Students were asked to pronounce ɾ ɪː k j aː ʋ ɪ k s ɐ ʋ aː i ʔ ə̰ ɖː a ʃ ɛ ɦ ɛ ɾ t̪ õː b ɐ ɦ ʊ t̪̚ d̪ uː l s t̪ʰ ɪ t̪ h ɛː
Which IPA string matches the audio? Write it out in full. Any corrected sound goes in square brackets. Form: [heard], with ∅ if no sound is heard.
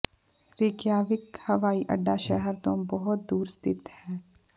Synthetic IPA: ɾ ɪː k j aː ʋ ɪ k [h] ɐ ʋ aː i ʔ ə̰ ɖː a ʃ ɛ ɦ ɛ ɾ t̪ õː b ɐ ɦ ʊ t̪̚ d̪ uː [ɾ] s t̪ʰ ɪ t̪ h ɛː